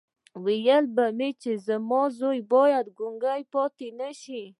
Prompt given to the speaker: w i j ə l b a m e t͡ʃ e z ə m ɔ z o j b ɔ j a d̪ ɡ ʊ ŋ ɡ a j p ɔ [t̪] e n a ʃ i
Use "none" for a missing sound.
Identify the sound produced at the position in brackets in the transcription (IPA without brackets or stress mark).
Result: t̪